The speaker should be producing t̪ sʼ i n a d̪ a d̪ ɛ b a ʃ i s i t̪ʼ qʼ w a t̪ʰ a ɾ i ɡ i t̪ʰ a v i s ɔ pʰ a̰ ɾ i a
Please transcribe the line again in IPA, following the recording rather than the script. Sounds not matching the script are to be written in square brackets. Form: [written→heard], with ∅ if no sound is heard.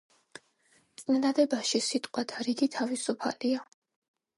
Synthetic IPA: t̪ sʼ i n a d̪ a d̪ ɛ b a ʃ i s i t̪ʼ qʼ w a t̪ʰ a ɾ i ɡ i t̪ʰ a v i s [ɔ→u] pʰ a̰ [ɾ→l] i a